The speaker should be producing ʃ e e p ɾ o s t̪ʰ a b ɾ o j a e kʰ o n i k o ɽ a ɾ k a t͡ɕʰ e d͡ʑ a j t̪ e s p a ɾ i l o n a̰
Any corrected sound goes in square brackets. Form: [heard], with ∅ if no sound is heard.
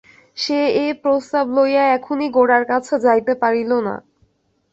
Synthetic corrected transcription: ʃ e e p ɾ o s [t̪] a b [l] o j a [ɛ] kʰ o n i [ɡ] o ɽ a ɾ k a t͡ɕʰ e d͡ʑ a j t̪ e [∅] p a ɾ i l o n a̰